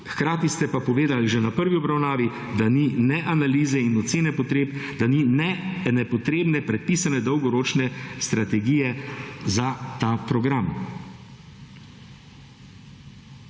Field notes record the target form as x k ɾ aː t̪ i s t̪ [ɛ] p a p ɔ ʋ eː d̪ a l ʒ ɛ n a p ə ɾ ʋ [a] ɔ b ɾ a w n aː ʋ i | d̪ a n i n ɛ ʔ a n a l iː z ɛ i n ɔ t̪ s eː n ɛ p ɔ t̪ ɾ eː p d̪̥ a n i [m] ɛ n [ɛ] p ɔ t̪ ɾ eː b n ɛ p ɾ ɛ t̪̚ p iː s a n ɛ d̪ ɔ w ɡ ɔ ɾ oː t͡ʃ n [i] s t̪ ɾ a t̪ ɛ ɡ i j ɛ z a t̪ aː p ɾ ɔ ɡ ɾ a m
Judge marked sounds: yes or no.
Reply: yes, no, no, yes, no

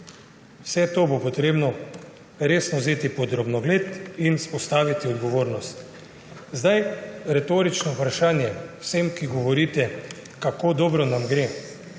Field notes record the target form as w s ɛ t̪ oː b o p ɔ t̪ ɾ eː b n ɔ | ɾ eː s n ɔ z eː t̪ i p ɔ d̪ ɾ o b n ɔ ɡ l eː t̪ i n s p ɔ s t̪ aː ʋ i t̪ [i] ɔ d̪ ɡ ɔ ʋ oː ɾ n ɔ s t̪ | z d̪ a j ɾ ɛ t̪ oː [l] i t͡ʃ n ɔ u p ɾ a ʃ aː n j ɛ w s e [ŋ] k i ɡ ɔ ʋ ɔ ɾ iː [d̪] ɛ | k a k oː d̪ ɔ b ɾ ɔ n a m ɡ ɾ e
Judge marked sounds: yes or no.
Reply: yes, no, no, no

